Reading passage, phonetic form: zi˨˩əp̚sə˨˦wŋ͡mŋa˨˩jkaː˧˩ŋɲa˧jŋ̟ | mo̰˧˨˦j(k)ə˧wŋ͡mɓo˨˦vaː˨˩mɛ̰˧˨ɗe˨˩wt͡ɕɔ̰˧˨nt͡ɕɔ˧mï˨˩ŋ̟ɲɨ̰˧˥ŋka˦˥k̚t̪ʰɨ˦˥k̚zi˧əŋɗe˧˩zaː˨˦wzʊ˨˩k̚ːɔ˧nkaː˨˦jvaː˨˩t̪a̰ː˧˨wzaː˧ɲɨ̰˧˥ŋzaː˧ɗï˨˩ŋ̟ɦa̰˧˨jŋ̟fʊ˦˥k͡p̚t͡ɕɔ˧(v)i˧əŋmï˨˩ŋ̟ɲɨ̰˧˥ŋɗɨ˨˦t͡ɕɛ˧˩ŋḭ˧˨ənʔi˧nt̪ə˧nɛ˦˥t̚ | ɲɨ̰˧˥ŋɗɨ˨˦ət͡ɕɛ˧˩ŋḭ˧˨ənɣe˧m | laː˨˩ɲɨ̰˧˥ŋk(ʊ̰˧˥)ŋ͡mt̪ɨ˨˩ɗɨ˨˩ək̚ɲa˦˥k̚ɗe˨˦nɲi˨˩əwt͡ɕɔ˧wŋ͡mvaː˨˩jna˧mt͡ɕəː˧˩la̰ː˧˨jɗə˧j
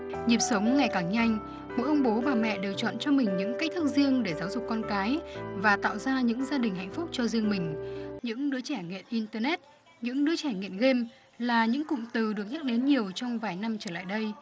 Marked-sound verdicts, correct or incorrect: incorrect: ʔ, incorrect: z, incorrect: ʊ̰˧˨

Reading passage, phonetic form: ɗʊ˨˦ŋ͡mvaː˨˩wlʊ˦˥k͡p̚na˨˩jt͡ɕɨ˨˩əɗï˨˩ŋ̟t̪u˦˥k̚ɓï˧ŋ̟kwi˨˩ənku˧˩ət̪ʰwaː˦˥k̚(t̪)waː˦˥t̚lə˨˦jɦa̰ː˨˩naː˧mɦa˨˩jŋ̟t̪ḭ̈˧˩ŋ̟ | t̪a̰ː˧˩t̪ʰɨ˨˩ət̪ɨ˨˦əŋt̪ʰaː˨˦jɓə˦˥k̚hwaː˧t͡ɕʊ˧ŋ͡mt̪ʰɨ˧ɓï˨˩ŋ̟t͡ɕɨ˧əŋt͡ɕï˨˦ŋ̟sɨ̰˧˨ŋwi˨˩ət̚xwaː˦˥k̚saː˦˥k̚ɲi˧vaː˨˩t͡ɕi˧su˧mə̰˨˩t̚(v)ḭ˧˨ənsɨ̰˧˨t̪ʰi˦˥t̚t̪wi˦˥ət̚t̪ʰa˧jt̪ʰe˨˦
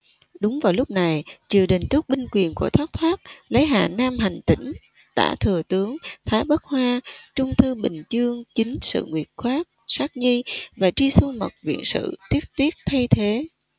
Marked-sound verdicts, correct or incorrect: incorrect: t̪ʰ, correct

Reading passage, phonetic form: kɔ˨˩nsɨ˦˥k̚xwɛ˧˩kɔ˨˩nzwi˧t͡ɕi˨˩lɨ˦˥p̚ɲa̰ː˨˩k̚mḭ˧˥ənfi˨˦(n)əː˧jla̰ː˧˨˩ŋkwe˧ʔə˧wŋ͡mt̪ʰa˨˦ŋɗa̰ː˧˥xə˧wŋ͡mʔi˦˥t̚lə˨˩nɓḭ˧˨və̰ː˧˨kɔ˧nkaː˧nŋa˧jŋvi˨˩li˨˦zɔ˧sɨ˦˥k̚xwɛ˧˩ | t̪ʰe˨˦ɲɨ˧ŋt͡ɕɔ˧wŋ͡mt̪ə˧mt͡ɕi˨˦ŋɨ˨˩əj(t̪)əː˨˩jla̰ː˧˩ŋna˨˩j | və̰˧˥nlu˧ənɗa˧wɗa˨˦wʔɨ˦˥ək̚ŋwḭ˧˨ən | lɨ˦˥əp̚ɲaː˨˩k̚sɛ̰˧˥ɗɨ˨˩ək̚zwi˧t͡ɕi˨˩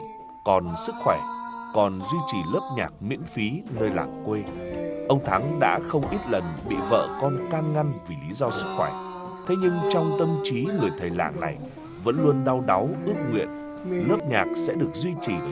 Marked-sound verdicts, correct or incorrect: correct, incorrect: t̪ʰ

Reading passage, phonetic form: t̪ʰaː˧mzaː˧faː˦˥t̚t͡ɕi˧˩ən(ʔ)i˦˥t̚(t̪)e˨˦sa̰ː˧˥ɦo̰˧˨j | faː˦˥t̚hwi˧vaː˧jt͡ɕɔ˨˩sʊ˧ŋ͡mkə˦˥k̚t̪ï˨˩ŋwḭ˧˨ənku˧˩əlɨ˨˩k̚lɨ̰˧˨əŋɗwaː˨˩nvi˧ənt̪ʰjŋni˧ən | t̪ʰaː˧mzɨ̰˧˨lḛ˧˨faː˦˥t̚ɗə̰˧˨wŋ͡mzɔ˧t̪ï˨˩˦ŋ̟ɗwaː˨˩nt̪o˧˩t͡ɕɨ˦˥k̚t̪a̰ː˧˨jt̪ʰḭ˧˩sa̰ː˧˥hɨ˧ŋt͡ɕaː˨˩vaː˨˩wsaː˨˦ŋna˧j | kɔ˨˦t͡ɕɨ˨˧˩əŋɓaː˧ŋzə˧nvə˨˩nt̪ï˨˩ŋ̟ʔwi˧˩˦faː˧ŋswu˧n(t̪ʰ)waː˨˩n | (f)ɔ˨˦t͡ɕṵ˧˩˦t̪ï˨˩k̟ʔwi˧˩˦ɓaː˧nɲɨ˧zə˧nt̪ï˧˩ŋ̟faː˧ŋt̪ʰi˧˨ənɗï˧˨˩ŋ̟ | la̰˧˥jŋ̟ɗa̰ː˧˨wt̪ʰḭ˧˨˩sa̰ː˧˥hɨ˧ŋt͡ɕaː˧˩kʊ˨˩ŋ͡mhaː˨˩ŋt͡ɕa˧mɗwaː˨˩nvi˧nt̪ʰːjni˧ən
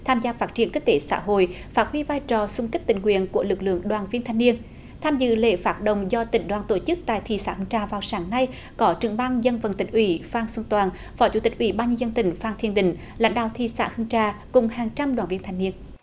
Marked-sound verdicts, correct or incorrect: incorrect: k, correct, incorrect: t̪, correct

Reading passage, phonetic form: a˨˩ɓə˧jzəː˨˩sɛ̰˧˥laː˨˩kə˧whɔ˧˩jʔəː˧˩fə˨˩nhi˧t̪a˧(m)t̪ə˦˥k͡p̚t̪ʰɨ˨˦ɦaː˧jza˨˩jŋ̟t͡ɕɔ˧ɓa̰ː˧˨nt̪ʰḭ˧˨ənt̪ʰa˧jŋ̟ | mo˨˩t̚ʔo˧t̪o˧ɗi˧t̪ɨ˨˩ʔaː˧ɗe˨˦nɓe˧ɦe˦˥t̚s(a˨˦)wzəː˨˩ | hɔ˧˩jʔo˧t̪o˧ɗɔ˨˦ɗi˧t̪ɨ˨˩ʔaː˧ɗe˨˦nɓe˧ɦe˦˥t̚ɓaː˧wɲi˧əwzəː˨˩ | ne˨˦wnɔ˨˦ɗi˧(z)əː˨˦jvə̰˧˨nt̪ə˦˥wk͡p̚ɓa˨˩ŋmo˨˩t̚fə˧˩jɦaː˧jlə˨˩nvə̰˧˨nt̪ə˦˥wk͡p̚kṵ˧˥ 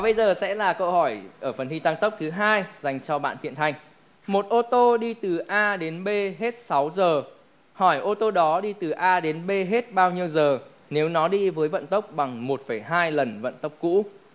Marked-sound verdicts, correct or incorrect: incorrect: ŋ, correct, incorrect: v

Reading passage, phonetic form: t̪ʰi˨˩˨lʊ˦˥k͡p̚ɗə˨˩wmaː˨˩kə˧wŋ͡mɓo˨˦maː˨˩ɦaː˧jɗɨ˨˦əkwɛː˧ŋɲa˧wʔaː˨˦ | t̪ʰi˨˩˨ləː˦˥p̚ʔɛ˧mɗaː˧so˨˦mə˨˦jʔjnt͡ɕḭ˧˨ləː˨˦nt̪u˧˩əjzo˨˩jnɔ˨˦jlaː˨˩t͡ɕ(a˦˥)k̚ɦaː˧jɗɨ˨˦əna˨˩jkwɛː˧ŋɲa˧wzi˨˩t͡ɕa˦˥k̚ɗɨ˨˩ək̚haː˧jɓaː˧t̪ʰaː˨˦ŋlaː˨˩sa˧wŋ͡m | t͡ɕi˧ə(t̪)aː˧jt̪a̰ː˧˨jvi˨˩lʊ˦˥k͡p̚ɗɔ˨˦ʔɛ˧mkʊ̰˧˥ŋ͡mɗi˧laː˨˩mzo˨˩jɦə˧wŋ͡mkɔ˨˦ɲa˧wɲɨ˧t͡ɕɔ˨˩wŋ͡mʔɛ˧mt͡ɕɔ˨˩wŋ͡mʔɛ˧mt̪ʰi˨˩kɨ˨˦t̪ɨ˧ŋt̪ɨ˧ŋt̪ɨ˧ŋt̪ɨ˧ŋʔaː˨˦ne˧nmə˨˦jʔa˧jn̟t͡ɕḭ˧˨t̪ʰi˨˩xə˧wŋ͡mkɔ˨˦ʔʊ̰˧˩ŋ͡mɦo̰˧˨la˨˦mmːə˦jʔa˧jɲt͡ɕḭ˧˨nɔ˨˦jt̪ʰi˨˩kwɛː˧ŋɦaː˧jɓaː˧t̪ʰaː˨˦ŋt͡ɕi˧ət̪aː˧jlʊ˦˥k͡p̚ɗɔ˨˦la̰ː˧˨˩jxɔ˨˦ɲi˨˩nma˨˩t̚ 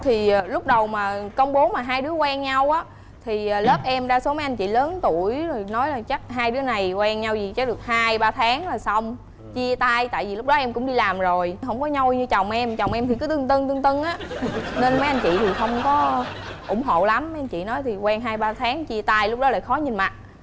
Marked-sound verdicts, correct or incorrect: correct, correct

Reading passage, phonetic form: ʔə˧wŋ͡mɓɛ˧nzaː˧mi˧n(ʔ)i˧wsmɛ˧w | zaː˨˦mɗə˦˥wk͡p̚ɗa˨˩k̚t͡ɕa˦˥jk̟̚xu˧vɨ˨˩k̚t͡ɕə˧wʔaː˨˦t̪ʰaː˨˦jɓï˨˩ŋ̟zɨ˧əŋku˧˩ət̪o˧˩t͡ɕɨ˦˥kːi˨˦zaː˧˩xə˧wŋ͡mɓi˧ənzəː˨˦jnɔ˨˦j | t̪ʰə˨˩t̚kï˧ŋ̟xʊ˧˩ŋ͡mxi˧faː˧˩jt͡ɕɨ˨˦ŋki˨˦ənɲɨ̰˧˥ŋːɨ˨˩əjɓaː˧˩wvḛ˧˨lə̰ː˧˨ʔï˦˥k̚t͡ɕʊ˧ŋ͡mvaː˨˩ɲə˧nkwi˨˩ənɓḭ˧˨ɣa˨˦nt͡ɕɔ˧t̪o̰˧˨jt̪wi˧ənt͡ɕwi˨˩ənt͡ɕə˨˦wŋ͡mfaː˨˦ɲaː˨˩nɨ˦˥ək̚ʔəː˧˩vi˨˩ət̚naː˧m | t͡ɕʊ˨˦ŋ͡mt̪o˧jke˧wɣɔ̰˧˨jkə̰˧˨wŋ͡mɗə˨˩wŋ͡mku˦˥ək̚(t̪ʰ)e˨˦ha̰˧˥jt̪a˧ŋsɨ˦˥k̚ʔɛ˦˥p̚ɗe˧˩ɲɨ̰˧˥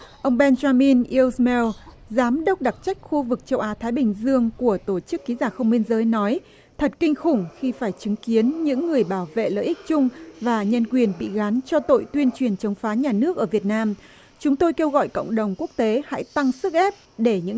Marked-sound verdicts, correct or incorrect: correct, incorrect: t̪

